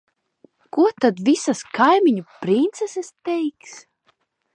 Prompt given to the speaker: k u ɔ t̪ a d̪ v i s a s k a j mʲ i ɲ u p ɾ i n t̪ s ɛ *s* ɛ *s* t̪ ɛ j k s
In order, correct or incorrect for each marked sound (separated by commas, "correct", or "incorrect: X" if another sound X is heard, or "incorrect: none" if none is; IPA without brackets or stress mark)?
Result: correct, correct